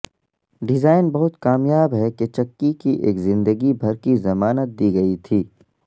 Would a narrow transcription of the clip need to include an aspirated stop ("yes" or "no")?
yes